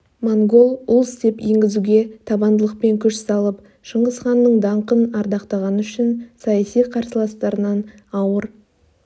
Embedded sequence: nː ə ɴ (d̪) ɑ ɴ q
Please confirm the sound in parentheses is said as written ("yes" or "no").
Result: yes